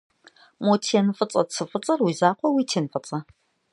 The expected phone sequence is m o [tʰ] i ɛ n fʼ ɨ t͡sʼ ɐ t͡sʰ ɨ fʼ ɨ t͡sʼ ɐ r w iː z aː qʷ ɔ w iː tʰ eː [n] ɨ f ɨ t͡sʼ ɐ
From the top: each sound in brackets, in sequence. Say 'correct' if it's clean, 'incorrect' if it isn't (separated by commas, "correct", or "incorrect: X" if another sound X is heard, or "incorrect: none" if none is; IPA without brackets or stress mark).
correct, correct